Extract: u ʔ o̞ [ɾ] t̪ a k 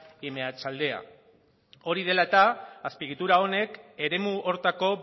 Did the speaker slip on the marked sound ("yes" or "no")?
no